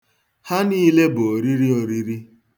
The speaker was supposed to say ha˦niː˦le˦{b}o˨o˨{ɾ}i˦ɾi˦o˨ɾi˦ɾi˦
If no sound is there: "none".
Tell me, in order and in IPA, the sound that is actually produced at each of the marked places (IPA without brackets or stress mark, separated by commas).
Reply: b, ɾ